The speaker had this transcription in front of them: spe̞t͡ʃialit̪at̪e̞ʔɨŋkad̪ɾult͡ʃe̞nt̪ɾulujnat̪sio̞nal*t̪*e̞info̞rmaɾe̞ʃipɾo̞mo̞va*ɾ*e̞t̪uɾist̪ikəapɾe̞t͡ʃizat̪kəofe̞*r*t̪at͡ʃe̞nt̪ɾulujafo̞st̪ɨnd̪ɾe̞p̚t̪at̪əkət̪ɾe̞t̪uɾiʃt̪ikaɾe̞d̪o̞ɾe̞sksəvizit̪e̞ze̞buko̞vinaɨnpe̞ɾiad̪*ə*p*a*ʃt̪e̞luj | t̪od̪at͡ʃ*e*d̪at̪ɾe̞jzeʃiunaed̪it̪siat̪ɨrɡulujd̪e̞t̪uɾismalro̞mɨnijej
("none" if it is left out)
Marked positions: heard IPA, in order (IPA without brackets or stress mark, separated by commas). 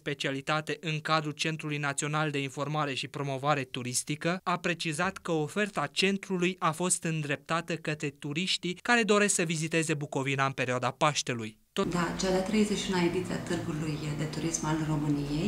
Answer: d̪, ɾ, r, a, a, a